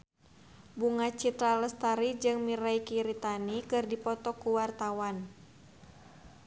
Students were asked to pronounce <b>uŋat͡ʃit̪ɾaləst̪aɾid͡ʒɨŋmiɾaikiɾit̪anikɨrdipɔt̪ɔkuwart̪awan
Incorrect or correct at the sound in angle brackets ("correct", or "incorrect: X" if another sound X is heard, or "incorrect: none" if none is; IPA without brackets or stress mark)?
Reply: correct